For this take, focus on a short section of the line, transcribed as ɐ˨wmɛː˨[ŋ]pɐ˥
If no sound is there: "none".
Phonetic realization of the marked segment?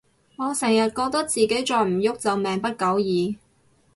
ŋ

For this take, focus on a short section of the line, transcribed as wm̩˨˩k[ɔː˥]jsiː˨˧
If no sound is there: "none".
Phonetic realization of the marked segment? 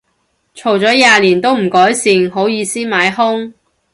ɔː˨˥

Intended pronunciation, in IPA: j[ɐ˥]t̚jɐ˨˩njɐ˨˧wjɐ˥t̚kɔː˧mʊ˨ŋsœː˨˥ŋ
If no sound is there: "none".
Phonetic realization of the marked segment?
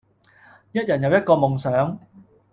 ɐ˥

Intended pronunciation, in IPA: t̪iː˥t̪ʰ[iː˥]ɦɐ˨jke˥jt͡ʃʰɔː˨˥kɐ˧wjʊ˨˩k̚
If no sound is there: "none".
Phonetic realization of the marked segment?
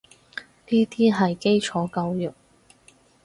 iː˥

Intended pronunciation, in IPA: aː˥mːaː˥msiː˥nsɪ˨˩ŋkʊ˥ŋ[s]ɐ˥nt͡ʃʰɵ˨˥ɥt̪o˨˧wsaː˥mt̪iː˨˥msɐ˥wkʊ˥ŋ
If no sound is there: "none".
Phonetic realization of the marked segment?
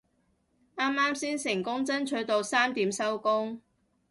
t͡s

